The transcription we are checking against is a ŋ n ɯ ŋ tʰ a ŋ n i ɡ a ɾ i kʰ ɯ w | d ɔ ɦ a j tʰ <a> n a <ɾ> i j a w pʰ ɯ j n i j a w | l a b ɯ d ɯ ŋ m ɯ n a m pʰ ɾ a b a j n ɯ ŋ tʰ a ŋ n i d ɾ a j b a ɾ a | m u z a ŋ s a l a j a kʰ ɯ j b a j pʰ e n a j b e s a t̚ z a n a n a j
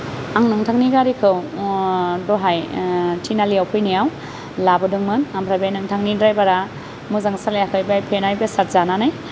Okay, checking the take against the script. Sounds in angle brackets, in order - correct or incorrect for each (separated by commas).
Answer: incorrect, incorrect